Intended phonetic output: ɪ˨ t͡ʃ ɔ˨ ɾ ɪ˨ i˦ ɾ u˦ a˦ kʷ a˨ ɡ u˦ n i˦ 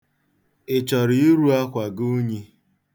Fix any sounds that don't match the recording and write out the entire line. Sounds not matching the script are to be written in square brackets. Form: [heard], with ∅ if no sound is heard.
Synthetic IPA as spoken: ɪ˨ t͡ʃ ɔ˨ ɾ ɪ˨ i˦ ɾ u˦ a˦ kʷ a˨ ɡ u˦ [ɲ] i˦